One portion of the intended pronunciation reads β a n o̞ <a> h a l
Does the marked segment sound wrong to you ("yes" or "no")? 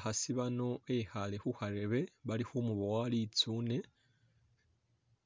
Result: yes